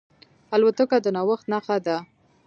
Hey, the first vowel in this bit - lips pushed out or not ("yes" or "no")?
no